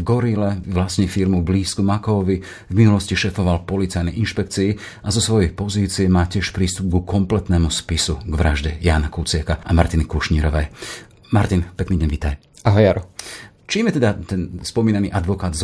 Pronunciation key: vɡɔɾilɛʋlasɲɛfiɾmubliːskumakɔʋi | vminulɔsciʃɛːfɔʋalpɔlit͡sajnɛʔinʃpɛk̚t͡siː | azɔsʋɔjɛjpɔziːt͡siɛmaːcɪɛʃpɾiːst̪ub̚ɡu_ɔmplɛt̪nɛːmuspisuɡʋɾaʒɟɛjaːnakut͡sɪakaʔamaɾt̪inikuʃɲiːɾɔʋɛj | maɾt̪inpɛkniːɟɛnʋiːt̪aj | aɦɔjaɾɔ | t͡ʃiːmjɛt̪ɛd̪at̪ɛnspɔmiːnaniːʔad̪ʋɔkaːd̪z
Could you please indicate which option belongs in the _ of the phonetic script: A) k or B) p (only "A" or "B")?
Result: A